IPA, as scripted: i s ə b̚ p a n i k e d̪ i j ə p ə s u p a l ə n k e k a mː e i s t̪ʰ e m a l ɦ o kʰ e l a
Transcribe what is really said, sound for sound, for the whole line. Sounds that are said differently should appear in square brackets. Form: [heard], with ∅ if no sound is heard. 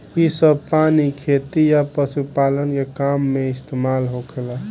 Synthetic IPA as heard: i s ə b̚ p a n i [kʰ] e [t̪] i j [a] p ə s u p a l ə n k e k a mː e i s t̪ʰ e m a l ɦ o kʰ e l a